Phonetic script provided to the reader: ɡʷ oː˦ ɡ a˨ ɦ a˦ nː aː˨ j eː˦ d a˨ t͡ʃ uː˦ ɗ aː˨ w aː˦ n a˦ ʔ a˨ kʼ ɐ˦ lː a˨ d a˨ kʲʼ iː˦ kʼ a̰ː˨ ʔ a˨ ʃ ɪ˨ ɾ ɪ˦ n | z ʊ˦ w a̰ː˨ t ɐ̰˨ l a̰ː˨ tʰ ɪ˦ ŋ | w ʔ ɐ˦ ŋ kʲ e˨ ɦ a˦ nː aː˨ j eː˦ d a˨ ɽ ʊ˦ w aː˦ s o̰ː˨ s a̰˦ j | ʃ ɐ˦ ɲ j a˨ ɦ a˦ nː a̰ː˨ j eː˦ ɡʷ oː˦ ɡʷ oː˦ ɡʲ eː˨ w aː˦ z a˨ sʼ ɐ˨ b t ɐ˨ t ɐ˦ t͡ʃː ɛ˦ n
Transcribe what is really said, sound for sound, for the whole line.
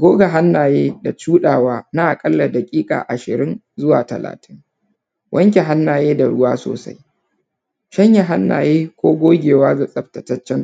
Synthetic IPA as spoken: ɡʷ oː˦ ɡ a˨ ɦ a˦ nː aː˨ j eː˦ d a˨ t͡ʃ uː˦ ɗ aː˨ w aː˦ n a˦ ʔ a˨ kʼ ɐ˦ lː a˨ d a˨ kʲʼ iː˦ kʼ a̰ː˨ ʔ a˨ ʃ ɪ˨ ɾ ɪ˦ n | z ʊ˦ w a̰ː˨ t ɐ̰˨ l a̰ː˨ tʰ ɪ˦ ŋ | w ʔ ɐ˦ ŋ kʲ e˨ ɦ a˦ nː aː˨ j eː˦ d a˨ ɽ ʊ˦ w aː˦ s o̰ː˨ s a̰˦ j | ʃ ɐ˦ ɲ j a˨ ɦ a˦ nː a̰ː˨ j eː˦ kʷ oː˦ ɡʷ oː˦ ɡʲ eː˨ w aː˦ z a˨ sʼ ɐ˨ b t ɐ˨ t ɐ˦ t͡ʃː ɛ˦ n

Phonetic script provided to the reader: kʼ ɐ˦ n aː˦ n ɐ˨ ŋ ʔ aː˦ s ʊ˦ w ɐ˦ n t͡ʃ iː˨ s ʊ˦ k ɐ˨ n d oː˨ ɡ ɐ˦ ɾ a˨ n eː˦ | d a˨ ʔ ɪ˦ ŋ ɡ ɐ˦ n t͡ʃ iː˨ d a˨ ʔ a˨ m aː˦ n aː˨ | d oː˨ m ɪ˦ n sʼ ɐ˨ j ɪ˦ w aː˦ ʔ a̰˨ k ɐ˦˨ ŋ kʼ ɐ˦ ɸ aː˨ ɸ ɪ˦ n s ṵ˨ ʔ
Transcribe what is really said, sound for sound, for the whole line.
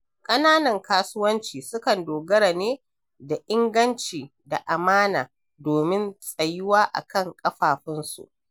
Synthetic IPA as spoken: kʼ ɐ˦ n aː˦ n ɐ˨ ŋ k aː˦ s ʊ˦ w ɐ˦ n t͡ʃ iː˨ s ʊ˦ k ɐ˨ n d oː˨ ɡ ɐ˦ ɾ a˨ n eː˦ | d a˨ ʔ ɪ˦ ŋ ɡ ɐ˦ n t͡ʃ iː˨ d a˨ ʔ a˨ m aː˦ n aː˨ | d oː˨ m ɪ˦ n sʼ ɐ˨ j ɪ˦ w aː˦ ʔ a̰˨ k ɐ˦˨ ŋ kʼ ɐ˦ ɸ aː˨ ɸ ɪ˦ n s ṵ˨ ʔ

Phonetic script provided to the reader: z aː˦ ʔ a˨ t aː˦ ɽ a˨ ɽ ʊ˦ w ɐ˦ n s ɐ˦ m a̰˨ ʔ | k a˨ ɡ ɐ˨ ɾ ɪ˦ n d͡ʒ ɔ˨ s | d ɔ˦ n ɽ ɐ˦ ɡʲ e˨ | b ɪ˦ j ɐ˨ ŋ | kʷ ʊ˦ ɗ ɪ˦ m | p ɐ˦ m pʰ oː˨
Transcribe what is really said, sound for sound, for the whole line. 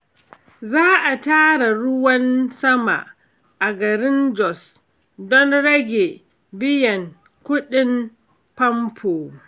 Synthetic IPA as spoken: z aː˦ ʔ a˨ t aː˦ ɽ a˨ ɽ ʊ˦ w ɐ˦ n s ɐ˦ m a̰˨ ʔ | ʔ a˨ ɡ ɐ˨ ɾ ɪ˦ n d͡ʒ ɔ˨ s | d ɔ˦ n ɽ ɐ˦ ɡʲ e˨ | b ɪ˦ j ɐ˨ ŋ | kʷ ʊ˦ ɗ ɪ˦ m | p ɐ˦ m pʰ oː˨

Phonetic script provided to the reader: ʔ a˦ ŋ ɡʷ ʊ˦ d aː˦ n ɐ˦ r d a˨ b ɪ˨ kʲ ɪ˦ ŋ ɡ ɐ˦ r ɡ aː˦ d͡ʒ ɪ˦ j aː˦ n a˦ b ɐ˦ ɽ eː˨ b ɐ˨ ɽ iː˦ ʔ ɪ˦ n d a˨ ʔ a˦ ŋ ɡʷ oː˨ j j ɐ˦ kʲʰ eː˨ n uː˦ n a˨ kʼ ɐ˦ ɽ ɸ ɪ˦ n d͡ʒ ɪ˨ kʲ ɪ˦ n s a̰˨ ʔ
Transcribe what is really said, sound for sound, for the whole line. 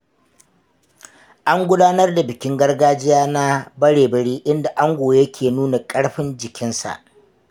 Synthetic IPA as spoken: ʔ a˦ ŋ ɡʷ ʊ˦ d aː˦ n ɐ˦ r d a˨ b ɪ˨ kʲ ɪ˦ ŋ ɡ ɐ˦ r ɡ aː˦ d͡ʒ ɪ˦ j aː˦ n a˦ b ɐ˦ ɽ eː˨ b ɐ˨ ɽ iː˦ ʔ ɪ˦ n d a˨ ʔ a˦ ŋ ɡʷ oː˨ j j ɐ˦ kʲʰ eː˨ n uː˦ n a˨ kʼ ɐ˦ ɽ ɸ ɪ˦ n d͡ʒ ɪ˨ kʲ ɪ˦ n s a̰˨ ʔ

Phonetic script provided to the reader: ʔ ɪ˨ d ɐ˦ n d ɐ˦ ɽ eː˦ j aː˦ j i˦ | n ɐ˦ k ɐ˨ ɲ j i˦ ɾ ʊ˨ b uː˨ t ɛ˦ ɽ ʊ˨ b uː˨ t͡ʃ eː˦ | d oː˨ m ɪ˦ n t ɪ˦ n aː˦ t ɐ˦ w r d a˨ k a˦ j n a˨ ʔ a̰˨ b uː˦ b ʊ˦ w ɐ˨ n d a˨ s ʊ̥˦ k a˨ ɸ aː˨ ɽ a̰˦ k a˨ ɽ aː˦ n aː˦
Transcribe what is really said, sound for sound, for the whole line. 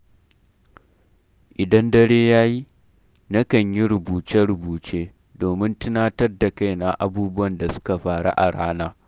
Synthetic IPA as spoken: ʔ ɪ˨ d ɐ˦ n d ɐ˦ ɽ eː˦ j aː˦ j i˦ | n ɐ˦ k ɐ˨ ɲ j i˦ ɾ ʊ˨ b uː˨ t͡ʃ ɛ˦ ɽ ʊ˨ b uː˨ t͡ʃ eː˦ | d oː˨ m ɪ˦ n t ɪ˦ n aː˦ t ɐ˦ r d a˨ k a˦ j n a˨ ʔ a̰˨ b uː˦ b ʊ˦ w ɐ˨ n d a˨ s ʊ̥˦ k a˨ ɸ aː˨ ɽ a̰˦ ʔ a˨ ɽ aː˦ n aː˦

